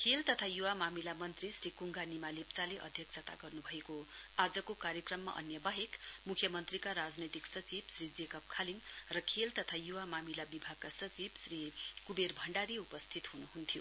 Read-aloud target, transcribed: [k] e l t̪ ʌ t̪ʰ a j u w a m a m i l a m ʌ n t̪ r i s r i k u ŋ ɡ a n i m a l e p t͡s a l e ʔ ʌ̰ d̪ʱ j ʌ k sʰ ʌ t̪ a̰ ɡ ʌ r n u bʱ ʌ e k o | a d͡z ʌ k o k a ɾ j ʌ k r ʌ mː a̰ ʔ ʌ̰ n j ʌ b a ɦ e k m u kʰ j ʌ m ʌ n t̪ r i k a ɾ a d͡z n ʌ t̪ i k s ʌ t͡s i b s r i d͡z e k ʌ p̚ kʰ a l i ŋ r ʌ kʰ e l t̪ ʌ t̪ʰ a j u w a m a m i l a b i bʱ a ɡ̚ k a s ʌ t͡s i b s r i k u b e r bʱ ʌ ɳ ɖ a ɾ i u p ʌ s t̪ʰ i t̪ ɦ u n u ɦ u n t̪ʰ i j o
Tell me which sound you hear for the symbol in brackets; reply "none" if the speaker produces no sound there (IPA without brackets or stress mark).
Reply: kʰ